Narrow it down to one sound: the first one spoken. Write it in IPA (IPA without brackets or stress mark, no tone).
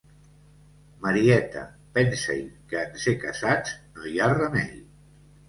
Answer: m